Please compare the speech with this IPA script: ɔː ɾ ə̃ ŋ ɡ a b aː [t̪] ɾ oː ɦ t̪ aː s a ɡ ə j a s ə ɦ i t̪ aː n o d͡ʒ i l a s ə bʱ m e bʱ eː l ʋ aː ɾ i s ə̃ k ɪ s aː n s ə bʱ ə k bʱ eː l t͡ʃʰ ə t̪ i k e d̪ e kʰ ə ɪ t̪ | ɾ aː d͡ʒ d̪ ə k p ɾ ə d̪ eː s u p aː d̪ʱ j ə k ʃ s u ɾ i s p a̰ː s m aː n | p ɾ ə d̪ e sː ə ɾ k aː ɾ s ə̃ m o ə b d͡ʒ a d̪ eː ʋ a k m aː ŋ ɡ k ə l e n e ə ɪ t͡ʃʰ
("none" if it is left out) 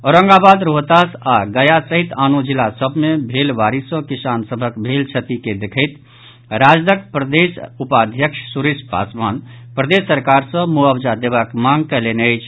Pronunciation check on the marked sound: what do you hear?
d̪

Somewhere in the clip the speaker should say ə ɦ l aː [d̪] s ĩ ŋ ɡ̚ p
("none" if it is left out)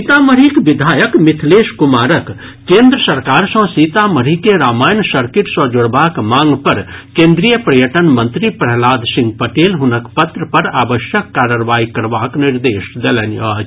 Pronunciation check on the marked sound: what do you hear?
d̪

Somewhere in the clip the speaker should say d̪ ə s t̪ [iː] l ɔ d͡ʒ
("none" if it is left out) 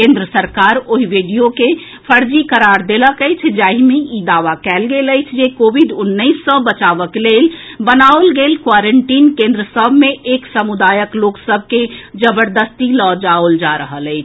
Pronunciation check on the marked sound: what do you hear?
i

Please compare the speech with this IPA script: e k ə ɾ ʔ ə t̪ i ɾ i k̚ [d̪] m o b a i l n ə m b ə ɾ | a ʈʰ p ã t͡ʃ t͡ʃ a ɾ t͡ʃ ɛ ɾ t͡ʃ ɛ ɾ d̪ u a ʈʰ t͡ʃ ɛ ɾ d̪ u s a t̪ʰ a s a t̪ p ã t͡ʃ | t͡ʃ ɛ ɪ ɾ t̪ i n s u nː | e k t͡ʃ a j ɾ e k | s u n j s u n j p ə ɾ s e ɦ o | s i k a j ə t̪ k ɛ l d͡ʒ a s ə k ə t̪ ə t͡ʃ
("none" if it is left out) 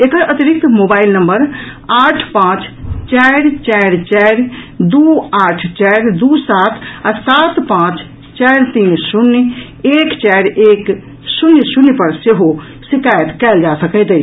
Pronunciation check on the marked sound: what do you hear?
t̪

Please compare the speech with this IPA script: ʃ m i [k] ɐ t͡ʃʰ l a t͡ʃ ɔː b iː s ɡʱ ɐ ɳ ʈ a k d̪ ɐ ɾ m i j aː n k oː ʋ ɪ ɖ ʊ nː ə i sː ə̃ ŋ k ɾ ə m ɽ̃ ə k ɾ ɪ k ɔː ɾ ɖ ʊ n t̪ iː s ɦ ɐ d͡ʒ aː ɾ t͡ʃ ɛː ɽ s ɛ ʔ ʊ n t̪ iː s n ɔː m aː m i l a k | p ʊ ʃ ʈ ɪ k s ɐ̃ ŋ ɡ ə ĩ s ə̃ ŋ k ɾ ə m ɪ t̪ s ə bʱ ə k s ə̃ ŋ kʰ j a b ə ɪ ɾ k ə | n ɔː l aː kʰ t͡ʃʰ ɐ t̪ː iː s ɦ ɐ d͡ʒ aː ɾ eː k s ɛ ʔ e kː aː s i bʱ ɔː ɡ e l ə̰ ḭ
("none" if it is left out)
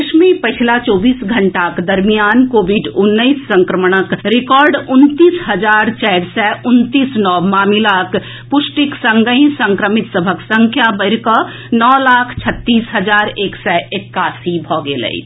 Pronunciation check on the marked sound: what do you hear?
p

